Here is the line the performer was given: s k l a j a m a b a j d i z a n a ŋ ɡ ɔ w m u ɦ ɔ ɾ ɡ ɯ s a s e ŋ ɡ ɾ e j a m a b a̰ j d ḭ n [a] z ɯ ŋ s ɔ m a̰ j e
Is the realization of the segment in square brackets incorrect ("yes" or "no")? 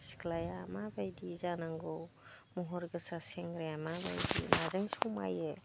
no